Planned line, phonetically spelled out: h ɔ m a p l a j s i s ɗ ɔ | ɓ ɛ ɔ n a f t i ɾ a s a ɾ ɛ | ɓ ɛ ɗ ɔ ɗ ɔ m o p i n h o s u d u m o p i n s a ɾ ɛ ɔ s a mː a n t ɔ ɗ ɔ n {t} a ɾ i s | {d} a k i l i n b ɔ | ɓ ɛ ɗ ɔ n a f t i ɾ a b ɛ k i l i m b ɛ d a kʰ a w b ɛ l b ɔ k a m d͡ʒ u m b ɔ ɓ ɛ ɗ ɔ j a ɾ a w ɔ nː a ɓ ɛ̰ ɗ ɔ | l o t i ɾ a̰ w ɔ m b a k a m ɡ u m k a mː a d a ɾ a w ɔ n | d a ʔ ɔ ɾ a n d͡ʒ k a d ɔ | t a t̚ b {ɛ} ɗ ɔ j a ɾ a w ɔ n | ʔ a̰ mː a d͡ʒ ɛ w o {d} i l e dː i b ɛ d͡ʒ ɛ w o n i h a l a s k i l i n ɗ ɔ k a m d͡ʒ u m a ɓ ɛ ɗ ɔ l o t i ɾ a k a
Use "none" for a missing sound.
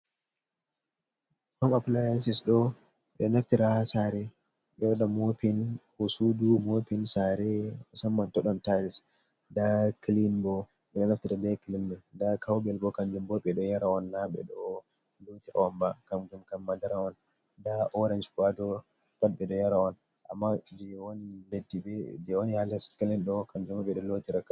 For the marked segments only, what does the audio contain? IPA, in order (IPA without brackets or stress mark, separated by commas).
t, d, ɛ, n